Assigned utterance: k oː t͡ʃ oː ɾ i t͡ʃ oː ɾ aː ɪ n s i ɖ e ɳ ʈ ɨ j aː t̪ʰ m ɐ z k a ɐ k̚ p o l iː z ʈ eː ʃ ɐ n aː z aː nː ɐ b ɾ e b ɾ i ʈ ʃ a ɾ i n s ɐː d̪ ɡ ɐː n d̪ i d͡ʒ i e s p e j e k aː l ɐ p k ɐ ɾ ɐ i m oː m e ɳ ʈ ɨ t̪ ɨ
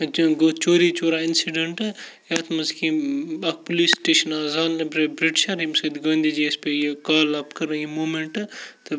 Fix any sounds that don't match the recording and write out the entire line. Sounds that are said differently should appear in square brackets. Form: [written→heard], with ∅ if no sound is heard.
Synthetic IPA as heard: [k→ɡ] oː t͡ʃ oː ɾ i t͡ʃ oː ɾ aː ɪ n s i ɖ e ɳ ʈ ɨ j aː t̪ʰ m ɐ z k [a→i] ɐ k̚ p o l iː [z→s] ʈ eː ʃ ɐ n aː z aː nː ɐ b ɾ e b ɾ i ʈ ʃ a ɾ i [n→m] s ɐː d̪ ɡ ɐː n d̪ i d͡ʒ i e s p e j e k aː l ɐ p k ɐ ɾ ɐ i m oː m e ɳ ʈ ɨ t̪ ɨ

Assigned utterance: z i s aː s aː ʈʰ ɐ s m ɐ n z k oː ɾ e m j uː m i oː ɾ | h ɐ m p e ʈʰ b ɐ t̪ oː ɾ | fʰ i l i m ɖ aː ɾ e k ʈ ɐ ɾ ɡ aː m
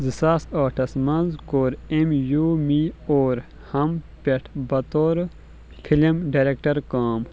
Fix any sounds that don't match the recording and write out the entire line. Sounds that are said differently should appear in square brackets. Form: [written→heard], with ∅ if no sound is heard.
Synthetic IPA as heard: z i s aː s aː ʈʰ ɐ s m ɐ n z k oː ɾ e m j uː m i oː ɾ | h ɐ m p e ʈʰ b ɐ t̪ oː ɾ | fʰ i l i m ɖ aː ɾ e k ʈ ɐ ɾ [ɡ→k] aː m

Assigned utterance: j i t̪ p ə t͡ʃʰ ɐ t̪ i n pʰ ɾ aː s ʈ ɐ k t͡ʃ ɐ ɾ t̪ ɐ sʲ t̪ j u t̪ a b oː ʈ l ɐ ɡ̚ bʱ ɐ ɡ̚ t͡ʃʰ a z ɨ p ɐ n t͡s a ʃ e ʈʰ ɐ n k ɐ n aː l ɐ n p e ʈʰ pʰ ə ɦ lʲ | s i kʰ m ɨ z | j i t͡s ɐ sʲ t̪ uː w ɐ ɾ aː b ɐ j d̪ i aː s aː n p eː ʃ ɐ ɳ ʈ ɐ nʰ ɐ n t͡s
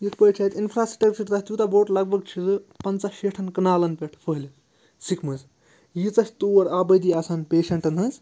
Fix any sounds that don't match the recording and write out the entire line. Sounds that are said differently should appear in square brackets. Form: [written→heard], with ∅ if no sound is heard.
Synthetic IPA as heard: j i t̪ p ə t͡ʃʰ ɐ t̪ i n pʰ ɾ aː s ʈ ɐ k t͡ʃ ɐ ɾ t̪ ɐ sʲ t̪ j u t̪ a b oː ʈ l ɐ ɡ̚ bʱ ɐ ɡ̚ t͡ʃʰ [a→i] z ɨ p ɐ n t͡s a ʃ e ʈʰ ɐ n k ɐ n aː l ɐ n p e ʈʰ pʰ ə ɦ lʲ | s i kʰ m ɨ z | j i t͡s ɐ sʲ t̪ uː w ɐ ɾ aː b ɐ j d̪ i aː s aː n p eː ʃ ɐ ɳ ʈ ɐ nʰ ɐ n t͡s

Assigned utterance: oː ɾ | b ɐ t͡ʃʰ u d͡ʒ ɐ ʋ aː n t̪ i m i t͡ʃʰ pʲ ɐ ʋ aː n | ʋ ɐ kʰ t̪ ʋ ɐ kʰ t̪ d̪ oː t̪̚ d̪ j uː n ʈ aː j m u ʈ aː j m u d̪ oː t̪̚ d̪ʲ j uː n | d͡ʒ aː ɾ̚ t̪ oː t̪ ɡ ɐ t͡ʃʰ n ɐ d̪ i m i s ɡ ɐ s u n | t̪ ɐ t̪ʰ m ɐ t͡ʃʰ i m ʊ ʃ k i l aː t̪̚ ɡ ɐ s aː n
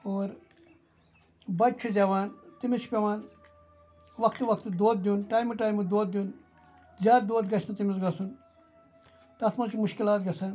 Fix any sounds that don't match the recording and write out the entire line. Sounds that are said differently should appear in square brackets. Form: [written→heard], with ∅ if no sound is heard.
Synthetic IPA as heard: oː ɾ | b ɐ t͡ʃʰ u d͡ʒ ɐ ʋ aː n t̪ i m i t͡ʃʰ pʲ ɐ ʋ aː n | ʋ ɐ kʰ t̪ ʋ ɐ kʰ t̪ d̪ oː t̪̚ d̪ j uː n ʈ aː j m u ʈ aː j m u d̪ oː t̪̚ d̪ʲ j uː n | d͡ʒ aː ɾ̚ [t̪→d̪] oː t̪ ɡ ɐ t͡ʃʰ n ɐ [d̪→t̪] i m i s ɡ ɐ s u n | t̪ ɐ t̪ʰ m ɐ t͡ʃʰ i m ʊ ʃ k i l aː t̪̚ ɡ ɐ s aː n

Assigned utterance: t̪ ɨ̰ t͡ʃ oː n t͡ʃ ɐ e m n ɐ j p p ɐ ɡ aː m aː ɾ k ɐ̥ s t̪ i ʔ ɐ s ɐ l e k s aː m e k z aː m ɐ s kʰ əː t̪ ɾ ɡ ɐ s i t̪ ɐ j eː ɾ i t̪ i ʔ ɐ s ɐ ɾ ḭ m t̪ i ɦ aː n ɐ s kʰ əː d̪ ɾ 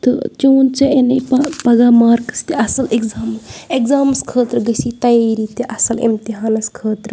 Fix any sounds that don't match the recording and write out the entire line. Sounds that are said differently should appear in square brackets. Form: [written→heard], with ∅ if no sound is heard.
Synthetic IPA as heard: t̪ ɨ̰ t͡ʃ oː n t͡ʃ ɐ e [m→∅] n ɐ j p p ɐ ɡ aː m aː ɾ k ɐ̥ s t̪ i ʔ ɐ s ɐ l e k [s→z] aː m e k z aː m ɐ s kʰ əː t̪ ɾ ɡ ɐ s i t̪ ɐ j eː ɾ i t̪ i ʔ ɐ s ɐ [ɾ→l] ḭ m t̪ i ɦ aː n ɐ s kʰ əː [d̪→t̪] ɾ

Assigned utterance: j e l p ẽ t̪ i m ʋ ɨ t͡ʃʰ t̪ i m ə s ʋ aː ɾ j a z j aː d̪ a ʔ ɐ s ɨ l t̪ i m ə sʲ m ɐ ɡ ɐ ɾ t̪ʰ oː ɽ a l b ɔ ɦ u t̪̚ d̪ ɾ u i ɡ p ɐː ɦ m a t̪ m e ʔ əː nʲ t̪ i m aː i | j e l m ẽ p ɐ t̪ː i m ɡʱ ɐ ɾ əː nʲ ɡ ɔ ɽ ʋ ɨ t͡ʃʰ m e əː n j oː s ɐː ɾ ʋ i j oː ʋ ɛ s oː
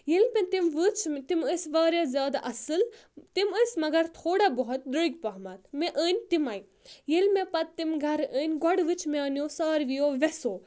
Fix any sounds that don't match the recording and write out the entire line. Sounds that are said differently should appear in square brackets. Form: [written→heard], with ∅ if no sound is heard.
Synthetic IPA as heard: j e l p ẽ t̪ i m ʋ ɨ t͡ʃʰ t̪ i m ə s ʋ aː ɾ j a z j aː d̪ a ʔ ɐ s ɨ l t̪ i m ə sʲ m ɐ ɡ ɐ ɾ t̪ʰ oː ɽ a [l→∅] b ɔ ɦ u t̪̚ d̪ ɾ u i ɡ p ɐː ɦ m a t̪ m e ʔ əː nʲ t̪ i m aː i | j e l m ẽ p ɐ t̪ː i m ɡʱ ɐ ɾ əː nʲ ɡ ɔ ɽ ʋ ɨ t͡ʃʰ m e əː n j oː s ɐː ɾ ʋ i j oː ʋ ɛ s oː

